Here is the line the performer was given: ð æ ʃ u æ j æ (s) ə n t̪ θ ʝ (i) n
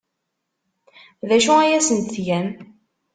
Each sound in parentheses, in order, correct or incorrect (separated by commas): correct, incorrect